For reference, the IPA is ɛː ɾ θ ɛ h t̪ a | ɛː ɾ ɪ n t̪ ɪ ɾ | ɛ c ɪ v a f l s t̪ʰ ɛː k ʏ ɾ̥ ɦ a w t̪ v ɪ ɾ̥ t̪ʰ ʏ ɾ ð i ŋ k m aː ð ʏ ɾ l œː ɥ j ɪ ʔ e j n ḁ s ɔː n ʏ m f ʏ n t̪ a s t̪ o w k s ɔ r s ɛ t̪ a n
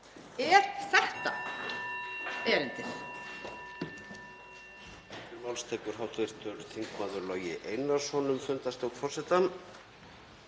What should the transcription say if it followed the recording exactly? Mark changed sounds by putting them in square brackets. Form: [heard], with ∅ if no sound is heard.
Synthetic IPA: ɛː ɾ θ ɛ h t̪ a | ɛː ɾ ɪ n t̪ ɪ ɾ | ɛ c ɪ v a [∅] l s t̪ʰ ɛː k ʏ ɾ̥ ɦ a w t̪ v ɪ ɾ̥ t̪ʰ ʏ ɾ [θ] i ŋ k m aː ð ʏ ɾ l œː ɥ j ɪ ʔ e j n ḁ s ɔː n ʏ m f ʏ n t̪ a s t̪ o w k [f] ɔ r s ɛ t̪ a n